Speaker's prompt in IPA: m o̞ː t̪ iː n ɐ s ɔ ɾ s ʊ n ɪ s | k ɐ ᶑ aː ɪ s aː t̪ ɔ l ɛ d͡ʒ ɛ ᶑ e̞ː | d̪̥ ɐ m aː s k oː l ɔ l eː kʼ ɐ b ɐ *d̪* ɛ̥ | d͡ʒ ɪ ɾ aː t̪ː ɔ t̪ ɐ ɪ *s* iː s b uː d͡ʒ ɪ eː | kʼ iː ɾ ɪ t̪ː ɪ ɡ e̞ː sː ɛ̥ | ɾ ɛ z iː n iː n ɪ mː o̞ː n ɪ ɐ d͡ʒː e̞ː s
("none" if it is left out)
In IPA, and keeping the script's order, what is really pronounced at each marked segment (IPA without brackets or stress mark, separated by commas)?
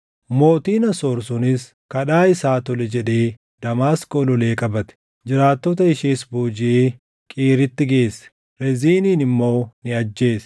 t̪, ʃ